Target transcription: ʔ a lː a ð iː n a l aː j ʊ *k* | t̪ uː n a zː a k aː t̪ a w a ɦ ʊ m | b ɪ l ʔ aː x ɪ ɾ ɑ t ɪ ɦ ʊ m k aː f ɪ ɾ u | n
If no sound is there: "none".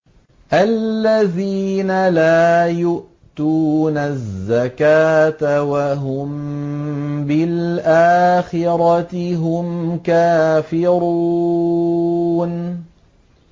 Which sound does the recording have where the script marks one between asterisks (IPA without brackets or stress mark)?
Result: ʔ